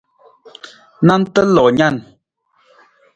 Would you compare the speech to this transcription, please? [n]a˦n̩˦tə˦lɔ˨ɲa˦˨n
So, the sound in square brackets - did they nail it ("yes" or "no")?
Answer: yes